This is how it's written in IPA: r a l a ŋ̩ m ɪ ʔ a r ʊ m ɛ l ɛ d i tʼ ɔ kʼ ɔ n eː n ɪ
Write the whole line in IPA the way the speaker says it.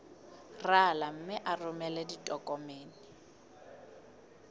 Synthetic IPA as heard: r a l a m̩ m ɪ ʔ a r ʊ m ɛ l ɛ d i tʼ ɔ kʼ ɔ m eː n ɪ